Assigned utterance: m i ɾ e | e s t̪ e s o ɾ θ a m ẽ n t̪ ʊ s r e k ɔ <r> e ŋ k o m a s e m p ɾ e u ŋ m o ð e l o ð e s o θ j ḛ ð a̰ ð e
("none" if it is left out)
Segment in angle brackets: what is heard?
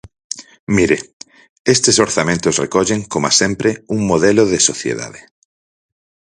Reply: ʎ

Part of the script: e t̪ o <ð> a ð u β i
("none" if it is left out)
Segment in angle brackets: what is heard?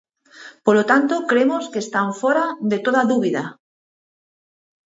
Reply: ð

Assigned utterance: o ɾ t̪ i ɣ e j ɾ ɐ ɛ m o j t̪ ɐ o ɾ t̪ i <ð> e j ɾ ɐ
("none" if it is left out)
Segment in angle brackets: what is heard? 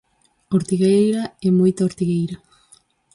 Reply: ɣ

